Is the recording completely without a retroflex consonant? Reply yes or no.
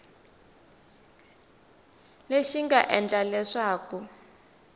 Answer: no